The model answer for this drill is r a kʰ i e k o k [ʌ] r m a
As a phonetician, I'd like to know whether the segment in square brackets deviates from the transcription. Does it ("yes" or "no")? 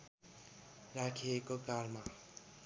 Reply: yes